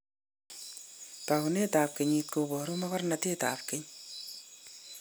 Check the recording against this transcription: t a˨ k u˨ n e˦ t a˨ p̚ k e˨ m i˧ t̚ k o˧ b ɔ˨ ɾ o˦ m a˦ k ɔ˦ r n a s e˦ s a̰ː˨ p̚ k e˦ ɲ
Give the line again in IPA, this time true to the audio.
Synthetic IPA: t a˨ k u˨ n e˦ t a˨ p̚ k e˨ ɲ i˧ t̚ k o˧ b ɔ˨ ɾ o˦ m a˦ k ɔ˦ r n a t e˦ t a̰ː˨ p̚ k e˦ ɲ